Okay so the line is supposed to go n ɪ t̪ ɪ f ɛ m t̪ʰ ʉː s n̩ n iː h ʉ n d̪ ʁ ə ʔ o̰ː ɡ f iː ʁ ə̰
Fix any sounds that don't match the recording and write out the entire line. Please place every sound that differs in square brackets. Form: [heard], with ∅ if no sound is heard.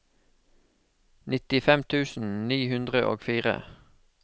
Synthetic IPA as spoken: n ɪ t̪ ɪ f ɛ m t̪ʰ ʉː s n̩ n iː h ʉ n d̪ ʁ ə ʔ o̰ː ɡ f iː ʁ ə̰